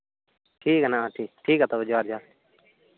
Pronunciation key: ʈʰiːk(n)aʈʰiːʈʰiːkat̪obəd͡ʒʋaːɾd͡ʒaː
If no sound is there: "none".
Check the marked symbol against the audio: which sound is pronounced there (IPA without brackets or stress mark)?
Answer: n